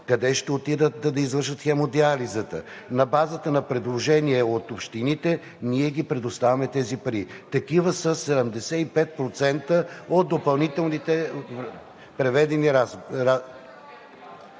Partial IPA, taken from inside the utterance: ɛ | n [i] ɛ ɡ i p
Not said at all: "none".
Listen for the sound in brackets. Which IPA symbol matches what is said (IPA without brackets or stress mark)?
i